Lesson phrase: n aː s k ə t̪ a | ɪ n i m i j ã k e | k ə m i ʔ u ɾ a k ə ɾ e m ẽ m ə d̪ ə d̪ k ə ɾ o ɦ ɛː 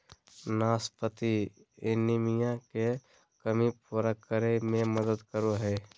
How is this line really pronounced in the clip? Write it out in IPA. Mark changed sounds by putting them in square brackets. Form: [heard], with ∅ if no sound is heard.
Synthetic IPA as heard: n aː s [p] ə t̪ [i] | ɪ n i m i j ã k e | k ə m i [p] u ɾ a k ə ɾ e m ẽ m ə d̪ ə d̪ k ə ɾ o ɦ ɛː